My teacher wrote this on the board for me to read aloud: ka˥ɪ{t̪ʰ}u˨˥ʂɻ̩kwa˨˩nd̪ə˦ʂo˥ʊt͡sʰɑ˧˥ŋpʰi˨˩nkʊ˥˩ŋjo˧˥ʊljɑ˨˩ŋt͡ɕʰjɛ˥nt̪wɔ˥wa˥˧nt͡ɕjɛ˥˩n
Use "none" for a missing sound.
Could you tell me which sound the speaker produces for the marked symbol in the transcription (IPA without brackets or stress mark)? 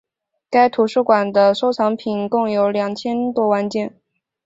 t̪ʰ